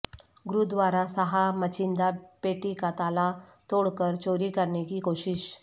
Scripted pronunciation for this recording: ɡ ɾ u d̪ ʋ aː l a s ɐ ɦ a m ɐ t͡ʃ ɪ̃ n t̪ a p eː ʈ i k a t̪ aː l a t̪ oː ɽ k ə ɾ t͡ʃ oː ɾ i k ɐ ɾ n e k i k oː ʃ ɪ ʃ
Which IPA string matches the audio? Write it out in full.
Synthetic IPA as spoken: ɡ ɾ u d̪ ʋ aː ɾ a s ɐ ɦ a m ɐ t͡ʃ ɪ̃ n d̪ a p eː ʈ i k a t̪ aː l a t̪ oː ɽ k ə ɾ t͡ʃ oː ɾ i k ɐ ɾ n e k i k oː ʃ ɪ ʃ